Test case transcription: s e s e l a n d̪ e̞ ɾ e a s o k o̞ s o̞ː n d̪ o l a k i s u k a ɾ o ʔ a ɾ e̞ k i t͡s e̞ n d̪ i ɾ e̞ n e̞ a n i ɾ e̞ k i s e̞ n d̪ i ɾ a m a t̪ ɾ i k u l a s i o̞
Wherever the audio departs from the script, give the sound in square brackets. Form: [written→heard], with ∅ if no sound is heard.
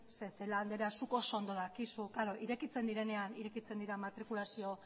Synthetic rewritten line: s e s e l a n d̪ e̞ ɾ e a s [o→u] k o̞ s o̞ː n d̪ o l a k i s u k a ɾ o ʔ [a→i] ɾ e̞ k i t͡s e̞ n d̪ i ɾ e̞ n e̞ a n i ɾ e̞ k i [s→t͡s] e̞ n d̪ i ɾ a m a t̪ ɾ i k u l a s i o̞